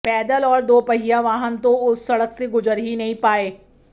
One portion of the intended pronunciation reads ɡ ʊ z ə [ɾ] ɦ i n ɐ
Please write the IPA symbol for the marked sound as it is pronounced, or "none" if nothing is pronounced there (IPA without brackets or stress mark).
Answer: ɾ